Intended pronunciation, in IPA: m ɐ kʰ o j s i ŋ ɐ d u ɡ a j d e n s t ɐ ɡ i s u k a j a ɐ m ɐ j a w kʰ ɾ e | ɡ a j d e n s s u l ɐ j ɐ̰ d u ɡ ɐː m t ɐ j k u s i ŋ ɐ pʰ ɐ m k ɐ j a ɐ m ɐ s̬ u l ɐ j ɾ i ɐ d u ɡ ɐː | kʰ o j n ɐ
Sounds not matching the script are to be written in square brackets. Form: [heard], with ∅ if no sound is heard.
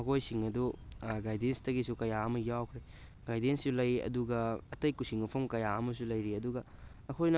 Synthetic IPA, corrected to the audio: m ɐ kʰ o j s i ŋ ɐ d u ɡ a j d e n s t ɐ ɡ i s u k [ɐ] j a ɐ m ɐ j a w kʰ ɾ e | ɡ a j d e n s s u l ɐ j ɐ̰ d u ɡ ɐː [∅] t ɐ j k u s i ŋ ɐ pʰ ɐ m k ɐ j a ɐ m ɐ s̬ u l ɐ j ɾ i ɐ d u ɡ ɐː | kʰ o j n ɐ